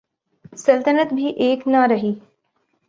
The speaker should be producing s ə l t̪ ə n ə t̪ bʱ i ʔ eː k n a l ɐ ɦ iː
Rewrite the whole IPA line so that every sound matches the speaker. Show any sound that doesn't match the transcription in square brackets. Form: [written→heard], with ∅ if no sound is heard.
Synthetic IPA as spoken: s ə l t̪ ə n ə t̪ bʱ i ʔ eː k n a [l→ɾ] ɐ ɦ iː